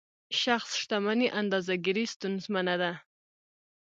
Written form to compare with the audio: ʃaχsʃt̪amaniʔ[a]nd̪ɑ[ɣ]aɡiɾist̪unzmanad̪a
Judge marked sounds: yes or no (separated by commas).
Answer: yes, no